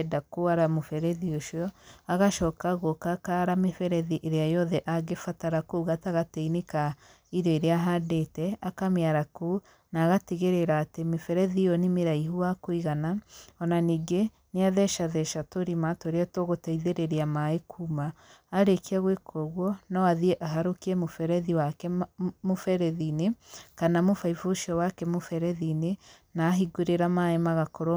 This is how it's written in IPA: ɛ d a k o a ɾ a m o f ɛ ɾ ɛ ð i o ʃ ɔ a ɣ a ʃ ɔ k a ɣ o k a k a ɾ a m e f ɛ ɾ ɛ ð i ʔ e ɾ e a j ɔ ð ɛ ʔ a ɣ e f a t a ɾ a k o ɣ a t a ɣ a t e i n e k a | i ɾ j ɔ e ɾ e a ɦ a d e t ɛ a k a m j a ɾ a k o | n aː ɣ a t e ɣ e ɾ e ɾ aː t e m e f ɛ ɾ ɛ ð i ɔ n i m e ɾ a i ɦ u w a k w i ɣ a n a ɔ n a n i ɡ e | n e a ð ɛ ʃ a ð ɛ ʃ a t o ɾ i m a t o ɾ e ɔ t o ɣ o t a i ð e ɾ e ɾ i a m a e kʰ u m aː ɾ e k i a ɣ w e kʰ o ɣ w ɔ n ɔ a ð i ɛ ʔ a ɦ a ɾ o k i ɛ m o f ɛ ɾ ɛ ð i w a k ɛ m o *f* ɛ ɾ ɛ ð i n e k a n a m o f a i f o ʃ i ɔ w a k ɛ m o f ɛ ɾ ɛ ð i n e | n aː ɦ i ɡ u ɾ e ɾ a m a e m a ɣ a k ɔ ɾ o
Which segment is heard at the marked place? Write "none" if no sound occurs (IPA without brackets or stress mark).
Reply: f